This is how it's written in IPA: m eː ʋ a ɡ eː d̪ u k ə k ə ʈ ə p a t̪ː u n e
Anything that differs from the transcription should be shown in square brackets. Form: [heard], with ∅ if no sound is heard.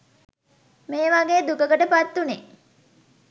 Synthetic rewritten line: m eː ʋ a ɡ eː d̪ u k ə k ə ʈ ə p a t̪ː u n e